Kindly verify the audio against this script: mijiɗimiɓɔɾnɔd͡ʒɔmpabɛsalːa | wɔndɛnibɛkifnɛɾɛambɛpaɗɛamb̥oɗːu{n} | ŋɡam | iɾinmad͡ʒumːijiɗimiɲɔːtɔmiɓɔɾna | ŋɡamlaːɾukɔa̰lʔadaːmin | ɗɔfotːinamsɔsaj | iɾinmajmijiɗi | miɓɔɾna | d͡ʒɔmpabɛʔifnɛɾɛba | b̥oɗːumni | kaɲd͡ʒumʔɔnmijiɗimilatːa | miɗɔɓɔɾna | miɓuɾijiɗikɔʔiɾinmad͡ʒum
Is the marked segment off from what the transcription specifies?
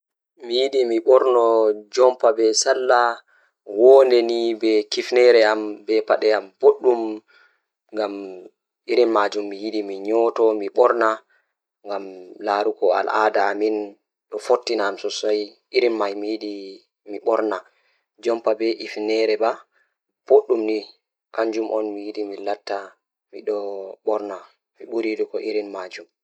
yes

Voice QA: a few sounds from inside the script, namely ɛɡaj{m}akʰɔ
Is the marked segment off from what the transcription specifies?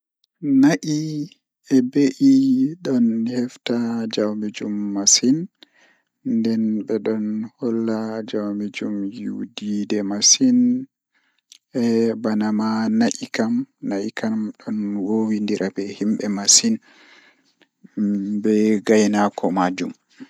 yes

